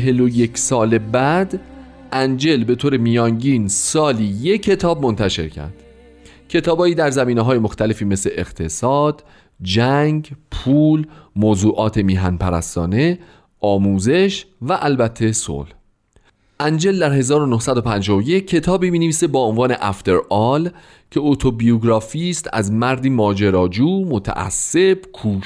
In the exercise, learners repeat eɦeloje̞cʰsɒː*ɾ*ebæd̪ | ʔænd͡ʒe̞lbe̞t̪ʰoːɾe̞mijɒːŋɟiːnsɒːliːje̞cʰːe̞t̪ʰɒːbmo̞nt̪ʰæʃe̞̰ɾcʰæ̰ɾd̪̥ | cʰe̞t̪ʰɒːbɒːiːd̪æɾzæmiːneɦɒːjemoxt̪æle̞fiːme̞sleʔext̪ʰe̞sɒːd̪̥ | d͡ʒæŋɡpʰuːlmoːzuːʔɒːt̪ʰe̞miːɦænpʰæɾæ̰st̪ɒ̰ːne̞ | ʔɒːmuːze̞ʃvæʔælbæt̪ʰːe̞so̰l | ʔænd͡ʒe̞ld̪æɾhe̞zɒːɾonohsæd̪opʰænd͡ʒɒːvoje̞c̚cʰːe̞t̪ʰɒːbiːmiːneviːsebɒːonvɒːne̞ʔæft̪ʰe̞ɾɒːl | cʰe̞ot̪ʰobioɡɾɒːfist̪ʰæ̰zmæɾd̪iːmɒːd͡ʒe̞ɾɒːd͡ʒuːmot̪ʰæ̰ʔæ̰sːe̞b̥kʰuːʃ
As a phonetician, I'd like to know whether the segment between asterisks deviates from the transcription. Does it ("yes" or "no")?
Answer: yes